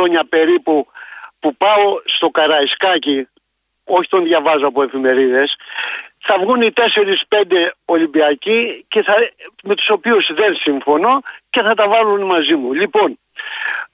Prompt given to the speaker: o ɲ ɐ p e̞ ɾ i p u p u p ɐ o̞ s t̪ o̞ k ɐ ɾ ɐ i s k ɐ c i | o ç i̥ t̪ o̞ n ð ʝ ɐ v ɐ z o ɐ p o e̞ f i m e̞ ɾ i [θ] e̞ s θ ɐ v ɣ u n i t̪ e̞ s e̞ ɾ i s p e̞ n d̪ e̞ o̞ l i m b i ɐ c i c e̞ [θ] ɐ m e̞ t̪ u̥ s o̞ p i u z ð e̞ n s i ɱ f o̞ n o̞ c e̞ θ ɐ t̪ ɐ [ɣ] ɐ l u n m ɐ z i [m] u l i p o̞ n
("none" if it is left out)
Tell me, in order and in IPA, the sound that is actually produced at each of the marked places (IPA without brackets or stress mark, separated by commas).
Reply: ð, θ, v, m